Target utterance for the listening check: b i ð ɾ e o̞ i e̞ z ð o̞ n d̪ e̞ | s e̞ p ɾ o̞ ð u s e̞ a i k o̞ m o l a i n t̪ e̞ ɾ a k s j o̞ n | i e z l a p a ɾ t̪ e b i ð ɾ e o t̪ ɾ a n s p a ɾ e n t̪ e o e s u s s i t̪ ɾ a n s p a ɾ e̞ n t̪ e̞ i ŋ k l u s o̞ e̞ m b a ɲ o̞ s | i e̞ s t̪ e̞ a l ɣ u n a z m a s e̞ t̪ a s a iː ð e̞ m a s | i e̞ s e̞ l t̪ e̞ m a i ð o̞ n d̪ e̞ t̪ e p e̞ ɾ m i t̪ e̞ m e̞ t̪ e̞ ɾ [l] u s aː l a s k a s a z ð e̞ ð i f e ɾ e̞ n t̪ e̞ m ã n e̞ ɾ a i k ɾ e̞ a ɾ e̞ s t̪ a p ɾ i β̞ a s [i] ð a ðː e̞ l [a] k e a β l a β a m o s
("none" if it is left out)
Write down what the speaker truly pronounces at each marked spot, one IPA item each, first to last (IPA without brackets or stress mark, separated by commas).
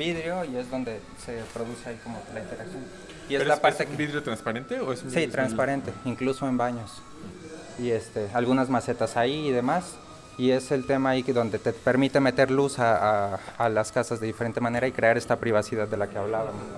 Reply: l, i, a